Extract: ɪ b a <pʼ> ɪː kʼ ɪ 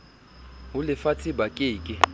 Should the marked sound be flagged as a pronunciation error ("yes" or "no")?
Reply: yes